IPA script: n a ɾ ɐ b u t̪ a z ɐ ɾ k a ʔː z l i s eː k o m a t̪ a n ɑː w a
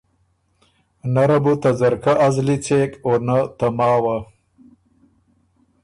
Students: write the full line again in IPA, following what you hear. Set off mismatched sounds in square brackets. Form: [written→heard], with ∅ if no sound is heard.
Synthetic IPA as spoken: n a ɾ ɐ b u t̪ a z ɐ ɾ k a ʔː z l i [s→t͡s] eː k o [m→n] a t̪ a [n→m] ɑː w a